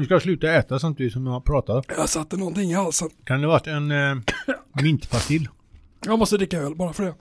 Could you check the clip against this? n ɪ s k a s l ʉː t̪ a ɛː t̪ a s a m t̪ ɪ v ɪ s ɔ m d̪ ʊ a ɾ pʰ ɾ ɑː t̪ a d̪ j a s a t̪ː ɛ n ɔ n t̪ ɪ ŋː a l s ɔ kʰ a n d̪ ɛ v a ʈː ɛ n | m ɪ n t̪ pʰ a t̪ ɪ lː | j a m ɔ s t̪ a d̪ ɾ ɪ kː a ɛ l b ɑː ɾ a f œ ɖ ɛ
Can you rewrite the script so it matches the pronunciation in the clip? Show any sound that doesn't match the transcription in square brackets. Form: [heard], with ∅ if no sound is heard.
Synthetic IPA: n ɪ s k a s l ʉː t̪ a ɛː t̪ a s a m t̪ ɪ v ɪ s ɔ m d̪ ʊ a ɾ pʰ ɾ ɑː t̪ a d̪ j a s a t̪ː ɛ n ɔ n t̪ ɪ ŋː a l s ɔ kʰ a n d̪ ɛ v a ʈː ɛ n | m ɪ n t̪ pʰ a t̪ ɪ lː | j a m ɔ s t̪ [ə] d̪ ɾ ɪ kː a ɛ l b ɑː ɾ a f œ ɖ ɛ